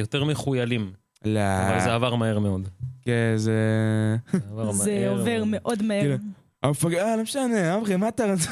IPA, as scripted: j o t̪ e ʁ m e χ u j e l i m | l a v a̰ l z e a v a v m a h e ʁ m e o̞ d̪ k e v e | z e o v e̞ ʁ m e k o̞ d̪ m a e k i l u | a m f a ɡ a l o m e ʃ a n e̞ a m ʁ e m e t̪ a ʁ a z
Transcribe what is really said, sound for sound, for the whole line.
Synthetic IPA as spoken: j o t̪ e ʁ m e χ u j a l i m | l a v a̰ l z e a v a ʁ m a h e ʁ m e o̞ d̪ k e z e | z e o v e̞ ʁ m e ʔ o̞ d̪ m a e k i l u | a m f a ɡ a l o m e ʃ a n e̞ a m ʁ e m a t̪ a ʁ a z